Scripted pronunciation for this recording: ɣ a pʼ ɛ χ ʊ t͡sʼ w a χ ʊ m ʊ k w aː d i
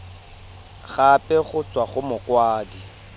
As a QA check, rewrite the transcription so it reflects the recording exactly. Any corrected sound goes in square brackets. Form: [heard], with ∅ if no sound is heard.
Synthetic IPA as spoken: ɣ a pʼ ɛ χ ʊ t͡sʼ w a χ ʊ m ʊ k w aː d i